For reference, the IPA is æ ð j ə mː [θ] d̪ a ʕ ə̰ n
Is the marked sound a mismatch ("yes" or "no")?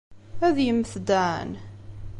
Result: no